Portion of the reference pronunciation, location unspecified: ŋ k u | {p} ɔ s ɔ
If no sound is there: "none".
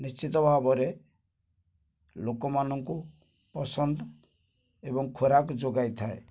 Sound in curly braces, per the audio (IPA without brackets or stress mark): p